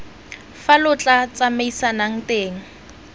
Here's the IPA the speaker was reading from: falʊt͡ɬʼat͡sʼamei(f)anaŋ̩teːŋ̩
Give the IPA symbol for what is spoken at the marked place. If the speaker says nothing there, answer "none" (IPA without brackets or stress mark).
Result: s